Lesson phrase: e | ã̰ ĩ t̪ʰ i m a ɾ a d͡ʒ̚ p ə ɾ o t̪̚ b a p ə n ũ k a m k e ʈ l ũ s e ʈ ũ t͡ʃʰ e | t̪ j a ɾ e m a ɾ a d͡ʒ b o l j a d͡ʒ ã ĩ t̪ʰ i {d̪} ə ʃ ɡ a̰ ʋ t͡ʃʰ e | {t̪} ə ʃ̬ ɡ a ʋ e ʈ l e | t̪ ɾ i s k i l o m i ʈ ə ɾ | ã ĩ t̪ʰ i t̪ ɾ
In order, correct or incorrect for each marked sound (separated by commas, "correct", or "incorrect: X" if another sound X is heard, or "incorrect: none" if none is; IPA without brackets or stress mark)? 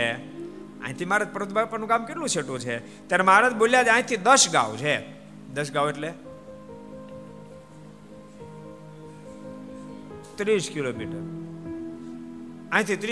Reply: correct, incorrect: d̪